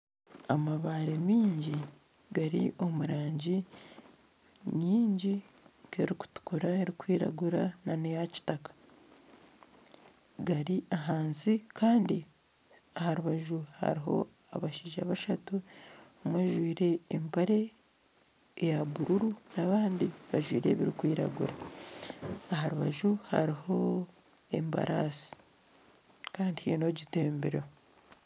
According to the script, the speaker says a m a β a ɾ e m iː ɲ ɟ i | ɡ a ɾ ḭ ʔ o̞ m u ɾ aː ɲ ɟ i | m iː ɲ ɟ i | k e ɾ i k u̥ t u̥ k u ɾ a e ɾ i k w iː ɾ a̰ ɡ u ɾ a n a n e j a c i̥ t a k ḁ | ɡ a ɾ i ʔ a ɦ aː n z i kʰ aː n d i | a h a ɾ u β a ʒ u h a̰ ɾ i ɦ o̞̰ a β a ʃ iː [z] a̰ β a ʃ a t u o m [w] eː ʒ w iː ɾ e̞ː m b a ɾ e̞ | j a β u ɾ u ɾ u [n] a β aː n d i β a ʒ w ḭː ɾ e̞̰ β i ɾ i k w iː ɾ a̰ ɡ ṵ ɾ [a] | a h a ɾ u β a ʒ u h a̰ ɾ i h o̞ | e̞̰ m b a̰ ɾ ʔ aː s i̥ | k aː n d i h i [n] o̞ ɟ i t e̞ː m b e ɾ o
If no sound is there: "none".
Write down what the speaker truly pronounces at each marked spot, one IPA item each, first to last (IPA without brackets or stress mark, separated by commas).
ʒ, w, n, a, n